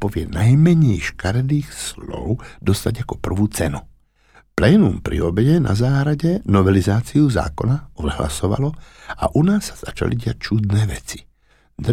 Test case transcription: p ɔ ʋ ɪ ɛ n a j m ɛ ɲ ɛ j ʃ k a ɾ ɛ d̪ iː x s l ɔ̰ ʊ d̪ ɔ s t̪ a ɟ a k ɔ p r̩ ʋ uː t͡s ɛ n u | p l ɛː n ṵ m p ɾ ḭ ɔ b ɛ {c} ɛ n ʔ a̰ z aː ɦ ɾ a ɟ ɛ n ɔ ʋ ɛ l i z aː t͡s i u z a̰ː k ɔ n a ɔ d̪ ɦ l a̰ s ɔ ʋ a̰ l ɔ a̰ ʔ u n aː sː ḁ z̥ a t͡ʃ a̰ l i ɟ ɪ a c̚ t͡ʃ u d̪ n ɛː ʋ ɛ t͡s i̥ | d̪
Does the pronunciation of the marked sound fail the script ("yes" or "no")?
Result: yes